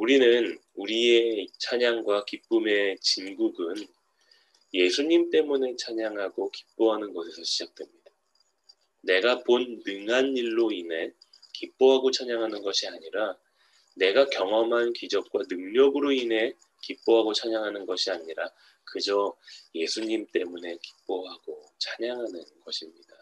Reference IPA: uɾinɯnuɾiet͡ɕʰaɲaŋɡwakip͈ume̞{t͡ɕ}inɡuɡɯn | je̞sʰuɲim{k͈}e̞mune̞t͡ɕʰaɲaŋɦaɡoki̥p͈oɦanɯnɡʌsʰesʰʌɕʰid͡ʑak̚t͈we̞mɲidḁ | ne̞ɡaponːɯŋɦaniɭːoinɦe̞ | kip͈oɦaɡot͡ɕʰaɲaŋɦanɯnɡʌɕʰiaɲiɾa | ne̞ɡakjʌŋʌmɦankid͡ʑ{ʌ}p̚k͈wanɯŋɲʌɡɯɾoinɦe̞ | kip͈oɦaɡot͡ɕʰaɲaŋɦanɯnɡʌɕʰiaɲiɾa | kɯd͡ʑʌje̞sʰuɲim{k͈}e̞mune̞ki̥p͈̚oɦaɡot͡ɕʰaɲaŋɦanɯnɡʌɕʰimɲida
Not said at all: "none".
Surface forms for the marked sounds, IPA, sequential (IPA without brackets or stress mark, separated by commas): t͡ɕ, t͈, ʌ, t͈